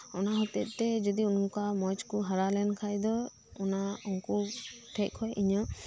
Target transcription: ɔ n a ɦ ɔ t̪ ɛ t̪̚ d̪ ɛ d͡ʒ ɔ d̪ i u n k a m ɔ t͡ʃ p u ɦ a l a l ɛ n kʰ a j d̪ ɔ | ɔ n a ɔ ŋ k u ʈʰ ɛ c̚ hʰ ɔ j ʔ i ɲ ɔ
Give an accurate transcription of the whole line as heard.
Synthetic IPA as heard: ɔ n a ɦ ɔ t̪ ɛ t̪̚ t̪ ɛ d͡ʒ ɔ d̪ i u n k a m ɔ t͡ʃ k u ɦ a ɾ a l ɛ n kʰ a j d̪ ɔ | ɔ n a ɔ ŋ k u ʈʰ ɛ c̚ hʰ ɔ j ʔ i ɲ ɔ

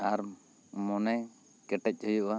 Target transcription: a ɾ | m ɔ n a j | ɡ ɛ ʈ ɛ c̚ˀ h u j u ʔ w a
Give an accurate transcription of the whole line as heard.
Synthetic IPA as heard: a ɾ | m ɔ n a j | k ɛ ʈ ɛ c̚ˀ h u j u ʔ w a

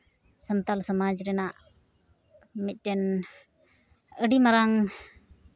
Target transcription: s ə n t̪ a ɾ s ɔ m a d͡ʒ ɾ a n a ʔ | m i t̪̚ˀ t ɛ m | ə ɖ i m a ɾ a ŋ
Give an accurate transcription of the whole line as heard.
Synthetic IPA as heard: s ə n t̪ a l s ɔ m a d͡ʒ ɾ ɛ n a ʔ | m i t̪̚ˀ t ɛ n | ə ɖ i m a ɾ a ŋ

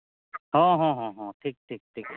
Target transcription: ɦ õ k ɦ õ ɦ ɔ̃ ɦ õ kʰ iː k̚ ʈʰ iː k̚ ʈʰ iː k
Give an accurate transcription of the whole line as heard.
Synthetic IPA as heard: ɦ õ ɦ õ ɦ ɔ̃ ɦ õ ʈʰ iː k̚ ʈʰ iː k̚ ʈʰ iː k

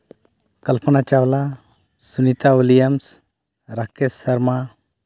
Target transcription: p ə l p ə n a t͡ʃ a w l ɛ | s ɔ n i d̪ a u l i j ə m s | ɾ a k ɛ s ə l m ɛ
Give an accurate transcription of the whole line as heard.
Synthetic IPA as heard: k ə l p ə n a t͡ʃ a w l a | s u n i t̪ a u l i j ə m s | ɾ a k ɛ s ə ɾ m a

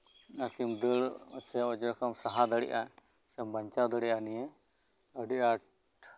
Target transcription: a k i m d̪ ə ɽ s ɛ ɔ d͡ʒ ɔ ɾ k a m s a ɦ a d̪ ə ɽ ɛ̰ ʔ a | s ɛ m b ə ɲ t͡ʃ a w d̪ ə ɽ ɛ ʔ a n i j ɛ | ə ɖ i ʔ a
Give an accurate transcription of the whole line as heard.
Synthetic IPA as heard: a k i m d̪ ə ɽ s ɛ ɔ d͡ʒ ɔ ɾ k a m s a ɦ a d̪ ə ɽ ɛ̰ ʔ a | s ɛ m b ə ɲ t͡ʃ a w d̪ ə ɽ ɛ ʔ a n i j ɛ | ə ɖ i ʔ a

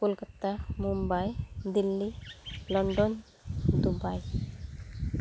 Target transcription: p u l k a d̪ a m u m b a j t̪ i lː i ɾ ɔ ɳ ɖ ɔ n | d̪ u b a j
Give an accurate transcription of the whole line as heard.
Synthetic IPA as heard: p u l k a t̪ a m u m b a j d̪ i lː i l ɔ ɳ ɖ ɔ n | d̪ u b a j

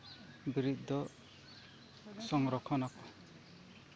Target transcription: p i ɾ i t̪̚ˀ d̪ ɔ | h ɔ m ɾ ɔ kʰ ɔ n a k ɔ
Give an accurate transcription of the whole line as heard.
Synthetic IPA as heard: b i ɾ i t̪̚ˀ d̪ ɔ | s ɔ ŋ ɾ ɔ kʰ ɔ n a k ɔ

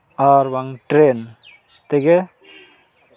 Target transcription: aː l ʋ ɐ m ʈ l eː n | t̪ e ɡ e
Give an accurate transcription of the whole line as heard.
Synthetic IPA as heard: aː ɾ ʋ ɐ ŋ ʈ ɾ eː n | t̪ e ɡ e

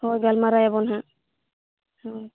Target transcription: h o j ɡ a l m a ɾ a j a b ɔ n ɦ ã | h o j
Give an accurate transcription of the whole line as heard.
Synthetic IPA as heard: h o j ɡ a l m a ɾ a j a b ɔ n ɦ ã | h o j

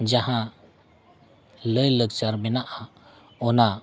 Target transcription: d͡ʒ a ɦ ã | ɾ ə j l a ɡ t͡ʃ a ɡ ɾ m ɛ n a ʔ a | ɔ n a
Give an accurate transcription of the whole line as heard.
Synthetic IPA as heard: d͡ʒ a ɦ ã | l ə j l ə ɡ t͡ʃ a ɾ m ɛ n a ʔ a | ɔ n a

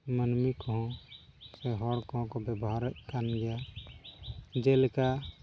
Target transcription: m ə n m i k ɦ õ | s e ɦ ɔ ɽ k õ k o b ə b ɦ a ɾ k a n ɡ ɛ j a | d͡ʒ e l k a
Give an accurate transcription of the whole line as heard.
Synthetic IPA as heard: m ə n m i k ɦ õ | s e ɦ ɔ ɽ k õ k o b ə b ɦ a ɾ k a n ɡ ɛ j a | d͡ʒ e l k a

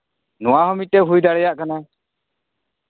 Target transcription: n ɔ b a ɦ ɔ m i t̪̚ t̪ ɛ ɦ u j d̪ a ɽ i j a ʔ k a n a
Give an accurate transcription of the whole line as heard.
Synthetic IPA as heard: n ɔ w a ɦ ɔ m i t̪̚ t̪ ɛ ɦ u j d̪ a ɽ ɛ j a ʔ k a n a

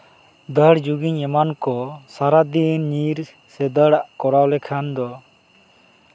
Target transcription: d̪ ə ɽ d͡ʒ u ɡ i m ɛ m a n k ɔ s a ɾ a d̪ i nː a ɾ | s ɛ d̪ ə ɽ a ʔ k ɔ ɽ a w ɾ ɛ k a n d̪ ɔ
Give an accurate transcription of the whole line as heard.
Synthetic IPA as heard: d̪ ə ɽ d͡ʒ u ɡ i ɲ ɛ m a n k ɔ s a ɾ a d̪ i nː i ɾ | s ɛ d̪ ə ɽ a ʔ k ɔ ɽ a w l ɛ kʰ a n d̪ ɔ

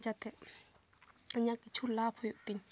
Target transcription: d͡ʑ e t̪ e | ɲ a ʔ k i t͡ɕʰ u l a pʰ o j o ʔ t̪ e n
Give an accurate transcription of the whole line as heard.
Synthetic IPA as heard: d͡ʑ a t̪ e | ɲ a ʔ k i t͡ɕʰ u l a pʰ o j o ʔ t̪ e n

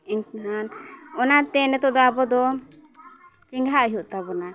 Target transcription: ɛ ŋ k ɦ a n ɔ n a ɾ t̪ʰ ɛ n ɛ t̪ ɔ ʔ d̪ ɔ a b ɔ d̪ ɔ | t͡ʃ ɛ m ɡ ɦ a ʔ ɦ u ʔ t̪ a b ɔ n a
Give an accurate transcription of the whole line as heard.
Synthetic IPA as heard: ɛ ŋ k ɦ a n ɔ n a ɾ t̪ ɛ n ɛ t̪ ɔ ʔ d̪ ɔ a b ɔ d̪ ɔ | t͡ʃ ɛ ŋ ɡ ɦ a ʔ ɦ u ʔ t̪ a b ɔ n a

